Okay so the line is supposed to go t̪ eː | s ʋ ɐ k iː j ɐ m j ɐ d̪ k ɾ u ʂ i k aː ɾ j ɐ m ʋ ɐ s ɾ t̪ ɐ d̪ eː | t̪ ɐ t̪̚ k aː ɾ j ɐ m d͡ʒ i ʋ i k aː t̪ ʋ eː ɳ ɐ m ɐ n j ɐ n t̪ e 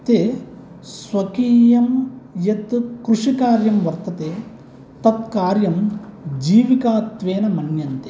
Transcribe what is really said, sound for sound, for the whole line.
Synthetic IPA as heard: t̪ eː | s ʋ ɐ k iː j ɐ m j ɐ t̪ k ɾ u ʂ i k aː ɾ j ɐ m ʋ ɐ ɾ t̪ ɐ t̪ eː | t̪ ɐ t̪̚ k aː ɾ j ɐ m d͡ʒ iː ʋ i k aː t̪ ʋ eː n ɐ m ɐ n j ɐ n t̪ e